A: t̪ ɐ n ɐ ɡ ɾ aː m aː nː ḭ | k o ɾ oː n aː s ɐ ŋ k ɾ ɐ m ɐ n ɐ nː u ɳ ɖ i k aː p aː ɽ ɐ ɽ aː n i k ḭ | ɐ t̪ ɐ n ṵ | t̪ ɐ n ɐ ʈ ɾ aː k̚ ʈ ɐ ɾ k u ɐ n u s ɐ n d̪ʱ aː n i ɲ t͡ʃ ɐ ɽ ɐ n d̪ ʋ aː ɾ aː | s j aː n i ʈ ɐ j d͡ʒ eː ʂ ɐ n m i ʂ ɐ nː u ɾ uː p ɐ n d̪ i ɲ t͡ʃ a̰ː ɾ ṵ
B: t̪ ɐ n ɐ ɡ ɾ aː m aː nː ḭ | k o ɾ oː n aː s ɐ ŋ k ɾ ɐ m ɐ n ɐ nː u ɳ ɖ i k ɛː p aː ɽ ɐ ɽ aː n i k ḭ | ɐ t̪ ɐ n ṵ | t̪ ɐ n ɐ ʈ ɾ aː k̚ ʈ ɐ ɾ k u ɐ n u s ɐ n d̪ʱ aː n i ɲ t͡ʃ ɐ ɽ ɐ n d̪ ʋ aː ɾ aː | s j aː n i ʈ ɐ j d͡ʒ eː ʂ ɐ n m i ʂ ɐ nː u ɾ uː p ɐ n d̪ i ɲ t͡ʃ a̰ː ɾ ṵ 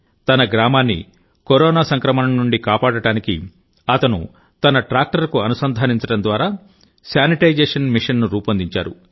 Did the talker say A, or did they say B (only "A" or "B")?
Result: A